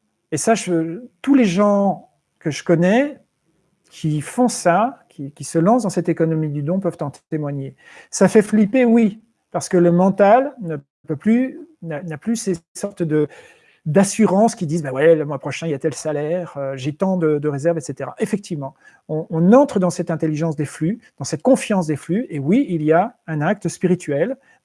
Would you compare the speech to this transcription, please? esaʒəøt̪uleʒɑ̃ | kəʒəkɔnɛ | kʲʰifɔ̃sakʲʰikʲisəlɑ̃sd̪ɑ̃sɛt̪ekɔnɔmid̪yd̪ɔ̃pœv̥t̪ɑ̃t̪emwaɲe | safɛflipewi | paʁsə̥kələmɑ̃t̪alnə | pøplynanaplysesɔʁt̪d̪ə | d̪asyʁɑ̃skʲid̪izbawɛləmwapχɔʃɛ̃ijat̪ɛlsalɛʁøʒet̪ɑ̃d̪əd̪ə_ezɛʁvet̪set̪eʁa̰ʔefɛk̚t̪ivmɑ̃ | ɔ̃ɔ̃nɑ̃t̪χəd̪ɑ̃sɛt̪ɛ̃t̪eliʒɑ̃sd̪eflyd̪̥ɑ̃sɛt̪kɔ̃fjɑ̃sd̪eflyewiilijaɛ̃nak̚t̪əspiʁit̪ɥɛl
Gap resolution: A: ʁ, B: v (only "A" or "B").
A